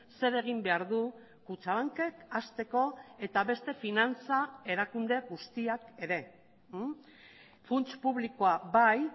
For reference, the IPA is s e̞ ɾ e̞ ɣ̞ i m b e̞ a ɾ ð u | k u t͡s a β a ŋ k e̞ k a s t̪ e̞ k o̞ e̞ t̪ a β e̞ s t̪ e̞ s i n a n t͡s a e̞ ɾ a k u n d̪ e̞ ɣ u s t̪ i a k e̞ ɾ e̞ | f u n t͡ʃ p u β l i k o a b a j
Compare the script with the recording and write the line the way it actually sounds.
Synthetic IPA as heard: s e̞ ɾ e̞ ɣ̞ i m b e̞ a ɾ ð u | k u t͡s a β a ŋ k e̞ k a s t̪ e̞ k o̞ e̞ t̪ a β e̞ s t̪ e̞ f i n a n t͡s a e̞ ɾ a k u n d̪ e̞ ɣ u s t̪ i a k e̞ ɾ e̞ | f u n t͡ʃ p u β l i k o a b a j